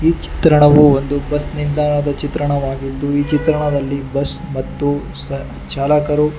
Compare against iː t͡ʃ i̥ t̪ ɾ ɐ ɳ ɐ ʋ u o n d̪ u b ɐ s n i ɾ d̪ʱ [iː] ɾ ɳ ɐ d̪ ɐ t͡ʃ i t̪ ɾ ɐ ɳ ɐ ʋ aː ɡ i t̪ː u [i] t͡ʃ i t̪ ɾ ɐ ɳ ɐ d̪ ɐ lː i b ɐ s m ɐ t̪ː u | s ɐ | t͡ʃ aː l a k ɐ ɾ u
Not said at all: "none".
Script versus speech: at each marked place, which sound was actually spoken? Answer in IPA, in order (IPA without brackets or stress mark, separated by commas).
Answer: aː, iː